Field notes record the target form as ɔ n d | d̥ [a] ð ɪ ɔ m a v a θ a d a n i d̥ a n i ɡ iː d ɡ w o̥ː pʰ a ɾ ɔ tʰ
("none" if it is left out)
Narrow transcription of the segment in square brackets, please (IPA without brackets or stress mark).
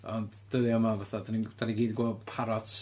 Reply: ə